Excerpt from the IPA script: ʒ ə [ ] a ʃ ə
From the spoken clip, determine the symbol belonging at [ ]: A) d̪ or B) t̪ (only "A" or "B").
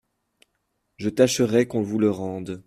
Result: B